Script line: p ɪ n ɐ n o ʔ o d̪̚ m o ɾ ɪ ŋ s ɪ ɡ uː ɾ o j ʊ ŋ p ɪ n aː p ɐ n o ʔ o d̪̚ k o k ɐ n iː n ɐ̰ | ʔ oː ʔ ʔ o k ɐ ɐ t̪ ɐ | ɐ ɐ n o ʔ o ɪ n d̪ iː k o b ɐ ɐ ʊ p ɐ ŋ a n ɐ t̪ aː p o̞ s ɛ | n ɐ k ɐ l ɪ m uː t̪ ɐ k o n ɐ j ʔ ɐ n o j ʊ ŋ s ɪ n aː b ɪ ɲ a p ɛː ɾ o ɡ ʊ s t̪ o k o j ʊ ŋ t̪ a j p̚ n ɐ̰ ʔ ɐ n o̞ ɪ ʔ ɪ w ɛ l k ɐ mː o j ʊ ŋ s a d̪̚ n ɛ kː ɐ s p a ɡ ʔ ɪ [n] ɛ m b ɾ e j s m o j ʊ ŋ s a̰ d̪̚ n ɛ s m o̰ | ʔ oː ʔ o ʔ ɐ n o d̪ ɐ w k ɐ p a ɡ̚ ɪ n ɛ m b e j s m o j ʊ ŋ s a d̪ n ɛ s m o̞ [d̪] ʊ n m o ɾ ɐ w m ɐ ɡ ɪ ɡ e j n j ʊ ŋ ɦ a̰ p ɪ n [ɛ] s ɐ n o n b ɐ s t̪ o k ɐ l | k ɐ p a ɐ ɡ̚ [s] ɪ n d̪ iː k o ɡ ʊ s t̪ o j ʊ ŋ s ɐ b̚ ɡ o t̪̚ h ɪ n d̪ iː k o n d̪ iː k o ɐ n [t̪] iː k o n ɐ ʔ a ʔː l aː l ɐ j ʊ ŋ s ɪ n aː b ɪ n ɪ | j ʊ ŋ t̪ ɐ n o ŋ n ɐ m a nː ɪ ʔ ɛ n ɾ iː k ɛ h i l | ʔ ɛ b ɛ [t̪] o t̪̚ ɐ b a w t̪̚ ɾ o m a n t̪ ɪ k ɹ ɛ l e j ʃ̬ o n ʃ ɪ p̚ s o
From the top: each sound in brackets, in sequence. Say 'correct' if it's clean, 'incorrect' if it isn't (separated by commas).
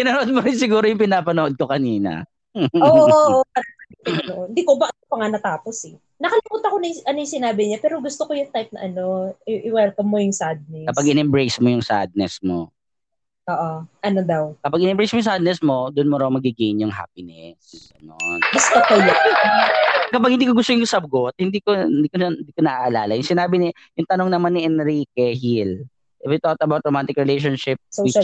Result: correct, correct, correct, incorrect, incorrect, correct